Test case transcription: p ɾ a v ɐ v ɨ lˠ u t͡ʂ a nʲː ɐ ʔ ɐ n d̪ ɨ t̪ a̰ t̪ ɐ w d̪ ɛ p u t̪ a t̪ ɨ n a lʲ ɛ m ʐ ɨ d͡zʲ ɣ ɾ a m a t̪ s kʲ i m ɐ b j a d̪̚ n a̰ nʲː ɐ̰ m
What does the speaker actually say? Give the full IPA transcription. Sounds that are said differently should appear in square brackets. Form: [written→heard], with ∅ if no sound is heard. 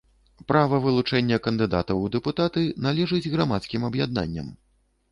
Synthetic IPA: p ɾ a v ɐ v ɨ lˠ u t͡ʂ [a→ɛ] nʲː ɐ [ʔ→k] ɐ n d̪ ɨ [t̪→d̪] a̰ t̪ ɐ w d̪ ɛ p u t̪ a t̪ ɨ n a lʲ ɛ [m→∅] ʐ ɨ d͡zʲ ɣ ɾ a m a t̪ s kʲ i m ɐ b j a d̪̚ n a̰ nʲː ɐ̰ m